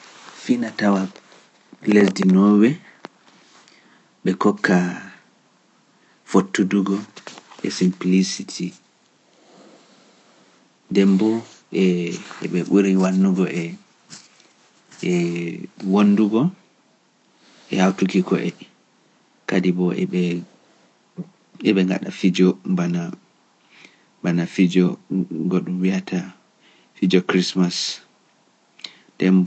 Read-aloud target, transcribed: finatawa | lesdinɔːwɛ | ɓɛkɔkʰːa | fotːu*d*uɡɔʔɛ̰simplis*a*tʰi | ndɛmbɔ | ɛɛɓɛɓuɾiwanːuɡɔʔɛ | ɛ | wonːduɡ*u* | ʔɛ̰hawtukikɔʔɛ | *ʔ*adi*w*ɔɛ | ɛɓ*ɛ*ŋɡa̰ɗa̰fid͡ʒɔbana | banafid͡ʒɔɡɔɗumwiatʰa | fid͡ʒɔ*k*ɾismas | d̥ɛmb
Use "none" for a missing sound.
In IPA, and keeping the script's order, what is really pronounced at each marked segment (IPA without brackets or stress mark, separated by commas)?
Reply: d, i, ɔ, k, b, ɛ, k